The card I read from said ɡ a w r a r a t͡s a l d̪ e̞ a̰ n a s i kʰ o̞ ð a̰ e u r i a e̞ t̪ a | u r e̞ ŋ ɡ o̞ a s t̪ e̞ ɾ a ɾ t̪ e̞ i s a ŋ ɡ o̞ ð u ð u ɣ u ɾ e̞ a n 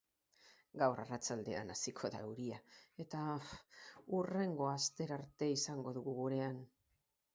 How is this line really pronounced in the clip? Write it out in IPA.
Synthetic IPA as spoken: ɡ a w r a r a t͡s a l d̪ e̞ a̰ n a s i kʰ o̞ ð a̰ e u ɾ i a e̞ t̪ a | u r e̞ ŋ ɡ o̞ a s t̪ e̞ ɾ a ɾ t̪ e̞ i s a ŋ ɡ o̞ ð u ɣ u ɣ u ɾ e̞ a n